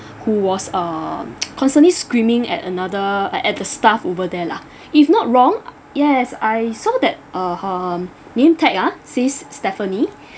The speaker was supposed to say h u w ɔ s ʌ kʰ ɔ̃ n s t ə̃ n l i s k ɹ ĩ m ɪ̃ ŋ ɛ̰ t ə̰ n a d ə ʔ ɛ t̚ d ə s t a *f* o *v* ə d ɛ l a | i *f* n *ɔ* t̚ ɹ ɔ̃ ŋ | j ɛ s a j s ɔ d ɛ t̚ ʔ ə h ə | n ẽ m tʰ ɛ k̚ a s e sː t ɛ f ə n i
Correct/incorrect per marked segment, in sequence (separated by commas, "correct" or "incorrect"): correct, correct, correct, correct